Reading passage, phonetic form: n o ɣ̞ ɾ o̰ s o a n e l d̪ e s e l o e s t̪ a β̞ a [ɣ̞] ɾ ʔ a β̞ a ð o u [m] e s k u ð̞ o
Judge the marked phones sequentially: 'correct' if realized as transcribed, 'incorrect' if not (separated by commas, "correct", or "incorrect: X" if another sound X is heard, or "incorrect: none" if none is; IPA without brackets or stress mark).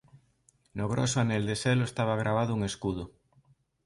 correct, incorrect: ŋ